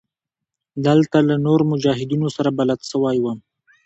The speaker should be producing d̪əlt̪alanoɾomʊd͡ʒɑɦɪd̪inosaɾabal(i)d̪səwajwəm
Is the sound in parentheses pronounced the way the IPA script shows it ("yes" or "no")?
no